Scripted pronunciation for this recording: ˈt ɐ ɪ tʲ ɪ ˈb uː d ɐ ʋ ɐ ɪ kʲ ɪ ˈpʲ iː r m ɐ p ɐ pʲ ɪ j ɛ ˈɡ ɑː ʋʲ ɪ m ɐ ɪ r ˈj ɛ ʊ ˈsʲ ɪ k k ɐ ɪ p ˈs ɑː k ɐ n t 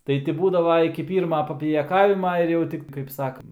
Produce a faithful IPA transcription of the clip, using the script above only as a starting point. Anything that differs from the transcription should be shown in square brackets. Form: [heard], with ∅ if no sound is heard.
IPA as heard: ˈt ɐ ɪ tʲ ɪ ˈb uː d ɐ ʋ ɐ ɪ kʲ ɪ ˈpʲ iː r m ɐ p ɐ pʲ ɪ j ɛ [ˈk] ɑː ʋʲ ɪ m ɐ ɪ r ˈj ɛ ʊ [ˈtʲ] ɪ k k ɐ ɪ p ˈs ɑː k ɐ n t